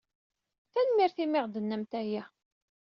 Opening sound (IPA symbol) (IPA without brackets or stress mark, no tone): θ